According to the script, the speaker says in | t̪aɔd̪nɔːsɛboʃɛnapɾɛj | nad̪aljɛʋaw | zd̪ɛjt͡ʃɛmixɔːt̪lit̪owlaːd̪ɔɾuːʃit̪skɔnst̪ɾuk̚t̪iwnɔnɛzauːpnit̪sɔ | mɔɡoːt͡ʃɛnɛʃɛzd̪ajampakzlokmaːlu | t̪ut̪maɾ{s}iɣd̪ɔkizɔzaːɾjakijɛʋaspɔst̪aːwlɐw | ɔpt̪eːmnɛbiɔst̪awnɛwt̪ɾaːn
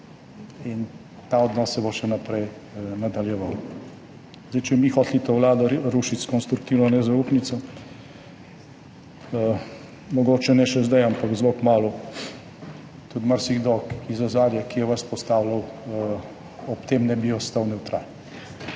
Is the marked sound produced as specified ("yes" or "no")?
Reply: yes